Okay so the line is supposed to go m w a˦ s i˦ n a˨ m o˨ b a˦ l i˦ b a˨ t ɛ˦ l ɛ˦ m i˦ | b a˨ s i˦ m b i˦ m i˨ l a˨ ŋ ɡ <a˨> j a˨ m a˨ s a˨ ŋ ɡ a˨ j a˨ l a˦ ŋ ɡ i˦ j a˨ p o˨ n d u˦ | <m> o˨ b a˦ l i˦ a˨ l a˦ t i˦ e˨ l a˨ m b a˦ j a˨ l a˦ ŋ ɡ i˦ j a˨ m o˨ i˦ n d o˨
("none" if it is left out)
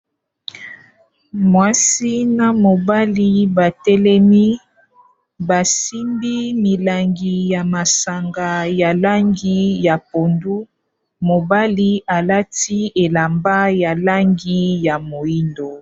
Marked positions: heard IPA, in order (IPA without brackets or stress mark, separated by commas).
i˨, m